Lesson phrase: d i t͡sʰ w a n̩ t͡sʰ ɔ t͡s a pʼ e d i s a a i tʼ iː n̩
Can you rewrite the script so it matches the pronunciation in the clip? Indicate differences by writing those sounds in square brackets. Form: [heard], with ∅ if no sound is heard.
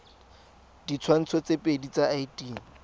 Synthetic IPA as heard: d i t͡sʰ w a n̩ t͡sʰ ɔ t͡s [e] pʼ e d i [t͡s] a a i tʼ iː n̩